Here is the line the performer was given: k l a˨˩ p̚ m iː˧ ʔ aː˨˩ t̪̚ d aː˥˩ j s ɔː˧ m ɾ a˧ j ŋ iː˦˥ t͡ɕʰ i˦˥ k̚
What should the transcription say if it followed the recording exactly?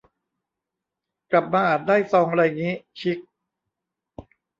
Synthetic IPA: k l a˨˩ p̚ m aː˧ ʔ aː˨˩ t̪̚ d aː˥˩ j s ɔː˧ ŋ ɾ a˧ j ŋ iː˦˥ t͡ɕʰ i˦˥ k̚